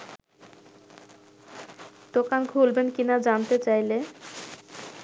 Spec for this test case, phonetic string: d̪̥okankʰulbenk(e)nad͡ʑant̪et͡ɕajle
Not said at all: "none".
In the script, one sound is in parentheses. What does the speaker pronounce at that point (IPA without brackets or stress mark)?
i